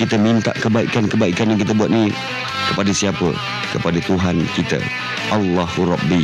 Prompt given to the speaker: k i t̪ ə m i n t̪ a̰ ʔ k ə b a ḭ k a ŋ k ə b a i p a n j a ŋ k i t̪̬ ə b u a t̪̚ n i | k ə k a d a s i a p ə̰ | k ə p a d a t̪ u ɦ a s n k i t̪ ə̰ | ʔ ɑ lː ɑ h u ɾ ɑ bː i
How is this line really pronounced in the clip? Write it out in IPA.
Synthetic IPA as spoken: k i t̪ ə m i n t̪ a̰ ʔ k ə b a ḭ k a n k ə b a i k a n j a ŋ k i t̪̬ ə b u a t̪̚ n i | k ə p a d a s i a p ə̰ | k ə p a d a t̪ u ɦ a n k i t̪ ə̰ | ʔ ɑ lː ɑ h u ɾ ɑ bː i